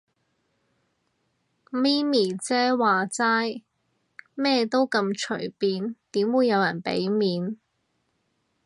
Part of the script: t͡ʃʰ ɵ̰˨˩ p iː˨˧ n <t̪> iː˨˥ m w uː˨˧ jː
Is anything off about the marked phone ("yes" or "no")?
no